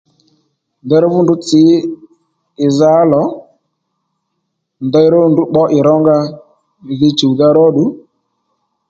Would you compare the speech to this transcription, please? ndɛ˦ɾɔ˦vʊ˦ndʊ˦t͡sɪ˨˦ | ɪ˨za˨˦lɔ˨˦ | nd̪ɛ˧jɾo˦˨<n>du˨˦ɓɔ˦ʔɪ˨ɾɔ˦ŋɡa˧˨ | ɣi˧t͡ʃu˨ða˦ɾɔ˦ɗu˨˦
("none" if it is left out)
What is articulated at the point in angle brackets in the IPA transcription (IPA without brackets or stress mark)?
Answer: n